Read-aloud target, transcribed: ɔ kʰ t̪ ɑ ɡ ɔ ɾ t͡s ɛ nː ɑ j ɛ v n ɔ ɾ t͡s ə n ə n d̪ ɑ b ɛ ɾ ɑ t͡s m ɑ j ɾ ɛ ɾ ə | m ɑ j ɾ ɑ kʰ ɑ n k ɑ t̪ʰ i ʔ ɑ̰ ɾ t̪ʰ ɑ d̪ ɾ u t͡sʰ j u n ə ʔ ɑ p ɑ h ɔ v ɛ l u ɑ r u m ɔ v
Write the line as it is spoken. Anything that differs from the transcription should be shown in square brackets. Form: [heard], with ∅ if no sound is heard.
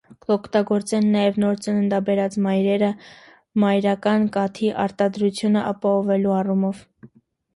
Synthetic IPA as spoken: ɔ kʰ t̪ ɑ ɡ ɔ ɾ t͡s ɛ nː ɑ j ɛ v n ɔ ɾ t͡s ə n ə n d̪ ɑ b ɛ ɾ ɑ t͡s m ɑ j ɾ ɛ ɾ ə | m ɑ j ɾ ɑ [k] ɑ n k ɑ t̪ʰ i ʔ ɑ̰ ɾ [t̪] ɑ d̪ ɾ u t͡sʰ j u n ə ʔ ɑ p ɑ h ɔ v ɛ l u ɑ r u m ɔ v